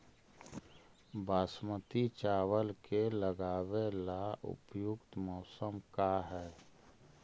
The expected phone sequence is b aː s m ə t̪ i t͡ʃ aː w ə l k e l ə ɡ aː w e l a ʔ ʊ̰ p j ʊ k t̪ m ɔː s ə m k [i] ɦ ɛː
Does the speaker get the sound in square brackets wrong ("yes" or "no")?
yes